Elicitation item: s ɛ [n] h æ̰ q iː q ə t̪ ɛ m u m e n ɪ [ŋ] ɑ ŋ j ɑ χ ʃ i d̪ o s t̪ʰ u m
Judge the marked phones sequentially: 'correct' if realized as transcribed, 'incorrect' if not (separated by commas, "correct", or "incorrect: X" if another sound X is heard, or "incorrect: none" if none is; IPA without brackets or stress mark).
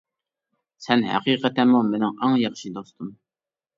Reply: correct, correct